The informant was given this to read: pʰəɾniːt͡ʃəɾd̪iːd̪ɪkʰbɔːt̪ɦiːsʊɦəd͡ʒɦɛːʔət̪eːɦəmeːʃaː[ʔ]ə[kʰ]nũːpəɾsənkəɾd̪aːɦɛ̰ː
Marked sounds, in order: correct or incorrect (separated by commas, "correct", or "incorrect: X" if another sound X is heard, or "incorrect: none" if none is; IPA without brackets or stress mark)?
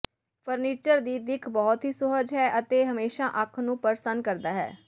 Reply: correct, correct